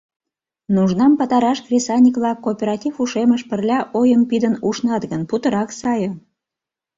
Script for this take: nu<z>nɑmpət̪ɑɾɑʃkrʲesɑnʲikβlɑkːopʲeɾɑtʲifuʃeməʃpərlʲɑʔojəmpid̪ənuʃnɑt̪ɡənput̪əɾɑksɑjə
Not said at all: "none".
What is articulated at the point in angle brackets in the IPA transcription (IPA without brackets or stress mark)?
ʒ